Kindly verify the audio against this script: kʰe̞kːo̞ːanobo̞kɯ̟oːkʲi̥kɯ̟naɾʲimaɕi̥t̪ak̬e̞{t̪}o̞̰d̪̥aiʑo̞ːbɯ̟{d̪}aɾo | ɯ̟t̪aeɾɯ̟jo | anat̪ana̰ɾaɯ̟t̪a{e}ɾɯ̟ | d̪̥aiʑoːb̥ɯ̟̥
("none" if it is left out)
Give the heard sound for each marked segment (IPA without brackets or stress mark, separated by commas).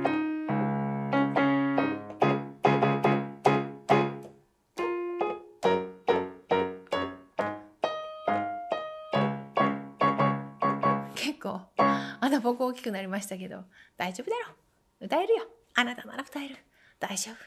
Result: d̪, d̪, e